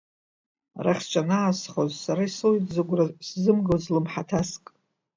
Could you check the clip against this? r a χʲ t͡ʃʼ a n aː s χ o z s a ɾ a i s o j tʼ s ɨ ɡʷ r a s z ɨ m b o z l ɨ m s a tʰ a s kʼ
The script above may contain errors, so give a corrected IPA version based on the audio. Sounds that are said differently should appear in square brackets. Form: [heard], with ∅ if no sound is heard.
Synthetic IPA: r a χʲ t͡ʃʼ a n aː s χ o z s a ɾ a i s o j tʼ [z] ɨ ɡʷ r a s z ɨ m [ɡ] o z l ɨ m [ħ] a tʰ a s kʼ